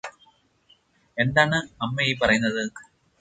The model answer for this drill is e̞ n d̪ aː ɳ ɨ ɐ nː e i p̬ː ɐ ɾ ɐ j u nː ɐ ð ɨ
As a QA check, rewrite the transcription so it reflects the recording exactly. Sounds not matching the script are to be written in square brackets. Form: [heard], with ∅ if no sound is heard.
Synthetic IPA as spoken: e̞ n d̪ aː ɳ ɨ ɐ [mː] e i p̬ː ɐ [r] ɐ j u nː ɐ ð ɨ